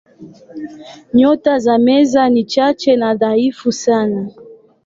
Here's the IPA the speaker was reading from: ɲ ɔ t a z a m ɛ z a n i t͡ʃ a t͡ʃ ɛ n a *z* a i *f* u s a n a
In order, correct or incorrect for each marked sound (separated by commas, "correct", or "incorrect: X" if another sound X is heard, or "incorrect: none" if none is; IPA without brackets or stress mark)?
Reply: incorrect: ð, correct